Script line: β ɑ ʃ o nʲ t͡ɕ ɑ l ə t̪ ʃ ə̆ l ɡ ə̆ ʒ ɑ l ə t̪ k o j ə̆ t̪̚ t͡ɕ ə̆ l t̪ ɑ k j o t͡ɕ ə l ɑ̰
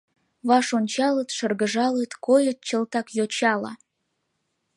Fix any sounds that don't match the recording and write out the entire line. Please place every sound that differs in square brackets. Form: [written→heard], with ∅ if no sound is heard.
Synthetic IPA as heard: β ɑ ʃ o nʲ t͡ɕ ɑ l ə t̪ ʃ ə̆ [l→r] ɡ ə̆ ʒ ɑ l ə t̪ k o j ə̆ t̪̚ t͡ɕ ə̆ l t̪ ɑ k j o t͡ɕ [ə→ɑ] l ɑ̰